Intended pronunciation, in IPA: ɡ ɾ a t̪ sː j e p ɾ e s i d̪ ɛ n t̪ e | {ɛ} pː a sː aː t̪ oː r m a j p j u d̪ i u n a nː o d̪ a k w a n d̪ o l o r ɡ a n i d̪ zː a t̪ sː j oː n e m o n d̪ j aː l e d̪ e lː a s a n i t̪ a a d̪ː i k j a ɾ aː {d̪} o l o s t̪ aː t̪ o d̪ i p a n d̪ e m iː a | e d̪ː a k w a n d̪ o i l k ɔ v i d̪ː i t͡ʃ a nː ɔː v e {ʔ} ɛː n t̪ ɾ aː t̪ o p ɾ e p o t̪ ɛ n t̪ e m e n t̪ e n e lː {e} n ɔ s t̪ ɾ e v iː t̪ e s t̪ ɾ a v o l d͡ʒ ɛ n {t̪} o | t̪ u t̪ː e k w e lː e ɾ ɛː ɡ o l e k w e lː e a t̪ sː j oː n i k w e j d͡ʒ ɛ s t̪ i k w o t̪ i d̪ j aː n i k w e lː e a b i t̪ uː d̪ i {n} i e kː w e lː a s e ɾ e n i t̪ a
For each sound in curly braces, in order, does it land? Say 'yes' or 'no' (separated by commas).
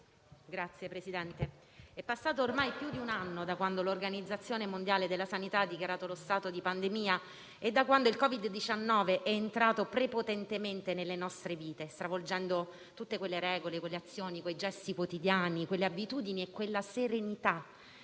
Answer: yes, no, yes, yes, no, yes